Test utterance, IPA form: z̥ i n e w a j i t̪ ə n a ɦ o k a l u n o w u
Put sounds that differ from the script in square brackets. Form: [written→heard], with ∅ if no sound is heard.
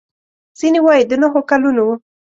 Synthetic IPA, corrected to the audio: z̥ i n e w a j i [t̪→d̪] ə n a ɦ o k a l u n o w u